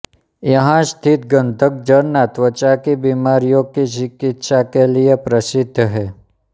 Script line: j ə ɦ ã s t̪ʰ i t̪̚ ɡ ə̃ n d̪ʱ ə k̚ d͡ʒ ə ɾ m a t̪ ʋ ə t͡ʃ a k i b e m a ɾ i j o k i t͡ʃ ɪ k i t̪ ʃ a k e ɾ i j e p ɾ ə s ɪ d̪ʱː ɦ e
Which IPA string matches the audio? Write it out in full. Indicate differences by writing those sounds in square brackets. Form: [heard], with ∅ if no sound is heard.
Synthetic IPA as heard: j ə ɦ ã s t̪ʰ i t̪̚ ɡ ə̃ n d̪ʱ ə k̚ d͡ʒ ə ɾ [n] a t̪ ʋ ə t͡ʃ a k i b [i] m a ɾ i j o k i t͡ʃ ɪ k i t̪ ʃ a k e [l] i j e p ɾ ə s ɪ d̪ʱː ɦ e